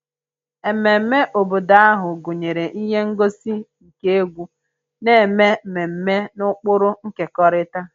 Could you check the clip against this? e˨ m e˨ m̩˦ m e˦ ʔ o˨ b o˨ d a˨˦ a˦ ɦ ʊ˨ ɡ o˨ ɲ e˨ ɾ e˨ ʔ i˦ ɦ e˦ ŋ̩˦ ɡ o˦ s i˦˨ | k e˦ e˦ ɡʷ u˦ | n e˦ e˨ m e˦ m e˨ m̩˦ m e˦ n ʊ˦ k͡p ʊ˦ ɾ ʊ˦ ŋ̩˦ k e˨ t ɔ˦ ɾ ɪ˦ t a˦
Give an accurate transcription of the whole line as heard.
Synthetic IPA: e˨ m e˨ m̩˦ m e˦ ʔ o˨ b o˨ d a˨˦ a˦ ɦ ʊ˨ ɡ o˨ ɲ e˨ ɾ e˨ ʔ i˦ ɦ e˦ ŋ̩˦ ɡ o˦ s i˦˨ | k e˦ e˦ ɡʷ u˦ | n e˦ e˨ m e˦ m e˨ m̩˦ m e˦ n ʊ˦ k͡p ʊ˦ ɾ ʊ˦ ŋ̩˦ k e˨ k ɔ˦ ɾ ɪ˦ t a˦